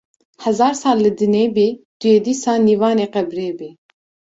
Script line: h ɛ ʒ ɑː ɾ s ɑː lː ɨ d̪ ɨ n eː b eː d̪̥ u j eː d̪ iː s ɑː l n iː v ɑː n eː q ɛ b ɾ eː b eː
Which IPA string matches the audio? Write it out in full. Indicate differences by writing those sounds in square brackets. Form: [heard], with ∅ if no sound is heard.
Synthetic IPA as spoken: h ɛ [z] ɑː ɾ s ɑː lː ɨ d̪ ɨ n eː b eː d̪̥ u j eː d̪ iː s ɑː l n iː v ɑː n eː q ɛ b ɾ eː b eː

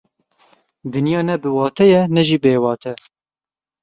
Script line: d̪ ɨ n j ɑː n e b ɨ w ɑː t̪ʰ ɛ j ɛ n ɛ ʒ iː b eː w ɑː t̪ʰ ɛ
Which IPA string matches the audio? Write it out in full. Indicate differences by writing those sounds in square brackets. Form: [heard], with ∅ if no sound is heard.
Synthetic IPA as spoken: d̪ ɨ n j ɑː n [ɛ] b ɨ w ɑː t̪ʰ ɛ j ɛ n ɛ ʒ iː b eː w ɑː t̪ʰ ɛ

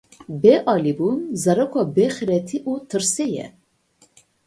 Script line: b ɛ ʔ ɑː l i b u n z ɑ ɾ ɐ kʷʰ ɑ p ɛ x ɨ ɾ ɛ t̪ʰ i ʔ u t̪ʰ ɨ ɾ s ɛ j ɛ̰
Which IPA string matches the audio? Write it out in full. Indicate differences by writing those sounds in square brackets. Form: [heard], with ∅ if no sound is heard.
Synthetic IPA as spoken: b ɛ ʔ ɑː l i b u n z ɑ ɾ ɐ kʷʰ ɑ [b] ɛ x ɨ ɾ ɛ t̪ʰ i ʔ u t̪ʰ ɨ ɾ s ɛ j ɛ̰

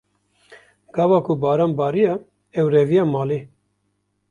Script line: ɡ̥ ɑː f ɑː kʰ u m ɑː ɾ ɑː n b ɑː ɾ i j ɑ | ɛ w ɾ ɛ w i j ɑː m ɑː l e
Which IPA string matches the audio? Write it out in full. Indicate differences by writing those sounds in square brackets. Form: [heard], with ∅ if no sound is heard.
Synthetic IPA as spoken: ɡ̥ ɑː [v] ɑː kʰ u [b] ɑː ɾ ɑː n b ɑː ɾ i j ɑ | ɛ w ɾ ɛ [v] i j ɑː m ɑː l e

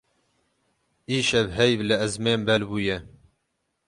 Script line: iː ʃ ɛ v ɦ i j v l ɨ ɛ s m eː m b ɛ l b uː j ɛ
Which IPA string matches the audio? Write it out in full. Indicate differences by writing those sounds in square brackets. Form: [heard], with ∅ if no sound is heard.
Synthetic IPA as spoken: iː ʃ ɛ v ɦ [ɛ] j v l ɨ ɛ [z] m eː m b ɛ l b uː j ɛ

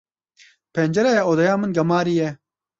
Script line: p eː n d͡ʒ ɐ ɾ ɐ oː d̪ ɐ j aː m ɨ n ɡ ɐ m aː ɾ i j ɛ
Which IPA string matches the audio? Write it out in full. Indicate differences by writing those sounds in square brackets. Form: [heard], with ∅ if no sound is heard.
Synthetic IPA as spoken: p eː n d͡ʒ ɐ ɾ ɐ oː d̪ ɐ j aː m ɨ n ɡ ɐ m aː ɾ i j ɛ

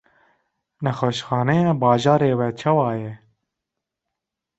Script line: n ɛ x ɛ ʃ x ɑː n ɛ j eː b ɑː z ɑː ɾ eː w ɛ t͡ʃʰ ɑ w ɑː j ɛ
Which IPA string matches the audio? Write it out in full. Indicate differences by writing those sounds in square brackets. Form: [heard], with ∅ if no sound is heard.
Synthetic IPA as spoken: n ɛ x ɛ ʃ x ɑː n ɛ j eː b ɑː [ʒ] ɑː ɾ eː w ɛ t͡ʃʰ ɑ w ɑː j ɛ

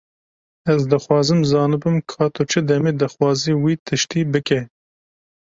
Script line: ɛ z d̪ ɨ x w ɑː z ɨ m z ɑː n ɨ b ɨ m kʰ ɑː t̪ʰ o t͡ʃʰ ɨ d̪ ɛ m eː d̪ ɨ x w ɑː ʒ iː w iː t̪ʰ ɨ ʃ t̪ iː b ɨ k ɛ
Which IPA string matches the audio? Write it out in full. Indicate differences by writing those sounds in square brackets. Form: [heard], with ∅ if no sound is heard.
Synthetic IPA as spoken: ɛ z d̪ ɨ x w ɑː z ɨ m z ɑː n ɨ b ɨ m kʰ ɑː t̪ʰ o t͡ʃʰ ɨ d̪ ɛ m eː d̪ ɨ x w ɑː [z] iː w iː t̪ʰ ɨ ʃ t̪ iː b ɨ k ɛ

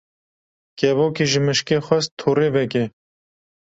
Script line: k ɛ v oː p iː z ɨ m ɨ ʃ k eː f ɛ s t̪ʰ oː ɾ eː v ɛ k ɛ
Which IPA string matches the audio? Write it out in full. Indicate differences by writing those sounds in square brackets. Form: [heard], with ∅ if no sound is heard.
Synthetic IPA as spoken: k ɛ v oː [k] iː [ʒ] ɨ m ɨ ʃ k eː [x] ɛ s t̪ʰ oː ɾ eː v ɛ k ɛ

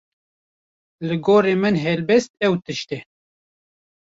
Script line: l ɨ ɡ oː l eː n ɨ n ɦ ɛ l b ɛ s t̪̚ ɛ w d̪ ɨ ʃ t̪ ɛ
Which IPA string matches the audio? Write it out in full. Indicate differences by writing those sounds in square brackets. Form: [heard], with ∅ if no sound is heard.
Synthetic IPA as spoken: l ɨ ɡ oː [ɾ] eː [m] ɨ n ɦ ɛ l b ɛ s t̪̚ ɛ w [t̪] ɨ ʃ t̪ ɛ

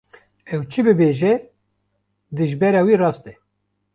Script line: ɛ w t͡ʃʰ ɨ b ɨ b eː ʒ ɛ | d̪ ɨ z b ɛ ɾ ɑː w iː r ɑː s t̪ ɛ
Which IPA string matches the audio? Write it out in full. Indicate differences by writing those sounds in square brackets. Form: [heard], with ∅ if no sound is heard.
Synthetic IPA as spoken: ɛ w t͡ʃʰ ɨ b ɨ b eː ʒ ɛ | d̪ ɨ [ʒ] b ɛ ɾ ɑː w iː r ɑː s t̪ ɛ

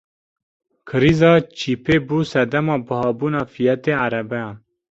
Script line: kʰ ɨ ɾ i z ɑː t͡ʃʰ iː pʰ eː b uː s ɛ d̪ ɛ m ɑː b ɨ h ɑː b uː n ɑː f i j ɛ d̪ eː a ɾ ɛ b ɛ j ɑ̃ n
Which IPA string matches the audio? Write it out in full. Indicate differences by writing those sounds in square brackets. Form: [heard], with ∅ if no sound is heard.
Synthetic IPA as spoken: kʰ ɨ ɾ i z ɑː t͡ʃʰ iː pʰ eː b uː s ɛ d̪ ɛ m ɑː b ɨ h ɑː b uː n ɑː f i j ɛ [t̪] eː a ɾ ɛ b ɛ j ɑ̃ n

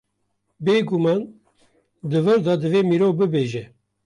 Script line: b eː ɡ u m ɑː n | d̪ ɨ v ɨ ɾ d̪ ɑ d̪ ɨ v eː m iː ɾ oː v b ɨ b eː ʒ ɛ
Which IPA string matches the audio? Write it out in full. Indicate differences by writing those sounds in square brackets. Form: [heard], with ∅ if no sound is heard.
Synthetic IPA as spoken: b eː ɡ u m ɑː n | d̪ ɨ v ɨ ɾ d̪ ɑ d̪ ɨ v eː m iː ɾ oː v b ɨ b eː ʒ ɛ

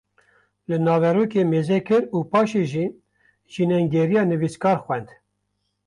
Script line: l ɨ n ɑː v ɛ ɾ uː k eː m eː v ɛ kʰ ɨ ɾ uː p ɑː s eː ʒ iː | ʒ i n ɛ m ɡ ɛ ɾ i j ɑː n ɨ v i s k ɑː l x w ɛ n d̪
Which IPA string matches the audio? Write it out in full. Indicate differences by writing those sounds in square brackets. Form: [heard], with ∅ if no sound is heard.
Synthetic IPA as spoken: l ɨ n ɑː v ɛ ɾ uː k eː m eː [z] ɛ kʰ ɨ ɾ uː p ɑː [ʃ] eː ʒ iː | ʒ i n ɛ [ŋ] ɡ ɛ ɾ i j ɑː n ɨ v i s k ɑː [ɾ] x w ɛ n d̪

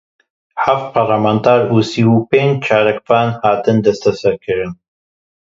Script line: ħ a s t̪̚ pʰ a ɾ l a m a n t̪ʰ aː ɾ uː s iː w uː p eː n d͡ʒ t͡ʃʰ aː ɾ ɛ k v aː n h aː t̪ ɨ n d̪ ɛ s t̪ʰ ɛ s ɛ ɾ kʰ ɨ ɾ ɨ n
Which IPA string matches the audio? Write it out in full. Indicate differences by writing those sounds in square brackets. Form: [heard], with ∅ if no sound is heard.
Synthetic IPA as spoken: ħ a [f] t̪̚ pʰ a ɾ l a m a n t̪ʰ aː ɾ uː s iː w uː p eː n d͡ʒ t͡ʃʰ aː ɾ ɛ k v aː n h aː t̪ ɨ n d̪ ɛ s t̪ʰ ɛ s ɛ ɾ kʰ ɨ ɾ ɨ n

